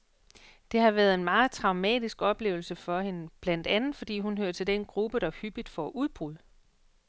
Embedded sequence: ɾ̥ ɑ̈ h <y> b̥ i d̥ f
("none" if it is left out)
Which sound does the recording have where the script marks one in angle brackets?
y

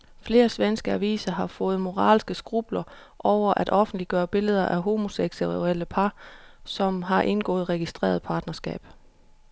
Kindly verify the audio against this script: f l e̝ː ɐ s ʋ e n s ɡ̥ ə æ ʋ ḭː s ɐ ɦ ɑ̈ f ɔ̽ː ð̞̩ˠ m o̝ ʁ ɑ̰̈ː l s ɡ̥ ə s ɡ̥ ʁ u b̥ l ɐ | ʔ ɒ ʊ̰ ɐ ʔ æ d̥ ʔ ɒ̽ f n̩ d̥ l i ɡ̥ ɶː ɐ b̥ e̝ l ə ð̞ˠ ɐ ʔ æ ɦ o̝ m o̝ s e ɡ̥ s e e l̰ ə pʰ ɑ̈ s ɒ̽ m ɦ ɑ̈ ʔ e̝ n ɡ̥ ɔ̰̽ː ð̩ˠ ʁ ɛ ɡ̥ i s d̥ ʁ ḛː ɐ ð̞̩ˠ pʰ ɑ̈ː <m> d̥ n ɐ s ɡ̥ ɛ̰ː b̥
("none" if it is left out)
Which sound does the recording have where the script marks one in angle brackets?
none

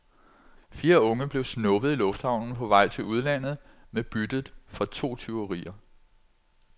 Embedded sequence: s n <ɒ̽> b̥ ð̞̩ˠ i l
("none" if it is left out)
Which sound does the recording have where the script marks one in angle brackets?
ɔ̽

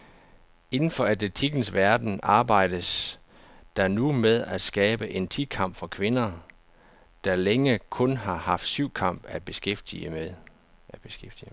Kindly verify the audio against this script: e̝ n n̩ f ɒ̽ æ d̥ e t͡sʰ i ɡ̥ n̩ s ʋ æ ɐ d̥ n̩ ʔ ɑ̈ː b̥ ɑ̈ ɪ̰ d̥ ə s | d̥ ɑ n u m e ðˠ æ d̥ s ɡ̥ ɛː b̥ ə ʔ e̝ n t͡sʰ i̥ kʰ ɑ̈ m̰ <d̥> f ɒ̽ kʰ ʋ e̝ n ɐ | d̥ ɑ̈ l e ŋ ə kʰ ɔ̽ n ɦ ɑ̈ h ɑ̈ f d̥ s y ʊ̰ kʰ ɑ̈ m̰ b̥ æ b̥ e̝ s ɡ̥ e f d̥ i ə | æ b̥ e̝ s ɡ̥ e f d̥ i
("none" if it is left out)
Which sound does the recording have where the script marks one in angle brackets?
b̥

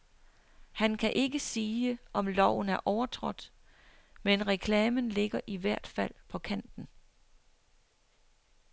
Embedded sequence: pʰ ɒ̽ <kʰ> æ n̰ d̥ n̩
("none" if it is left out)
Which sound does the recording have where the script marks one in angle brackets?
kʰ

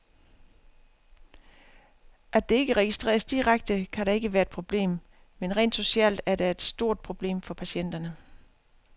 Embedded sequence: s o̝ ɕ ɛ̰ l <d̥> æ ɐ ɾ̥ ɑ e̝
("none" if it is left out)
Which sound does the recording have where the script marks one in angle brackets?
d̥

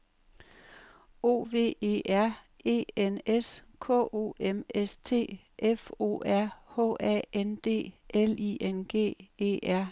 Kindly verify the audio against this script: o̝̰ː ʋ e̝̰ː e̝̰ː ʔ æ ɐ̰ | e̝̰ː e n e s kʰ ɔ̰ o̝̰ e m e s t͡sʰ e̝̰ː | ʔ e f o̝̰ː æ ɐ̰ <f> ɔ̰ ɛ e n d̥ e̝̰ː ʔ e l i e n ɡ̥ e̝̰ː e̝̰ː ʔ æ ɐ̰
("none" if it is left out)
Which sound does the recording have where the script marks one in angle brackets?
h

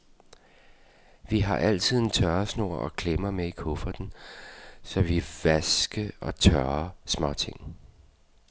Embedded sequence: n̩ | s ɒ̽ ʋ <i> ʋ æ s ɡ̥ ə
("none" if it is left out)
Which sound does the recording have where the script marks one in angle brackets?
i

